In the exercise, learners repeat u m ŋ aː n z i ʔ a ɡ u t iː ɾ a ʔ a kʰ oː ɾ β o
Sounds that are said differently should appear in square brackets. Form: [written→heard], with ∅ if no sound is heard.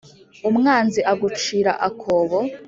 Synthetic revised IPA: u m ŋ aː n z i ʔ a ɡ u [t→t͡ʃ] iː ɾ a ʔ a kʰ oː [ɾ→∅] β o